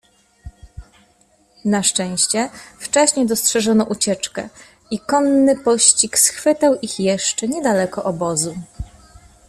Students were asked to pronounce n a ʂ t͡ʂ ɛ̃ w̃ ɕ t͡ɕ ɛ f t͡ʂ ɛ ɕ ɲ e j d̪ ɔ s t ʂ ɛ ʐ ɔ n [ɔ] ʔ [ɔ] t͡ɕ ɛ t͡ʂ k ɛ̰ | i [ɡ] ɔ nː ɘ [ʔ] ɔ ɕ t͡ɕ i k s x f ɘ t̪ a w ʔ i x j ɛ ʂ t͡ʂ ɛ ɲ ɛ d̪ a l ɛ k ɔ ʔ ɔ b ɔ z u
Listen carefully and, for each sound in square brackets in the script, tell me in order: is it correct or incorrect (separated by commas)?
correct, incorrect, incorrect, incorrect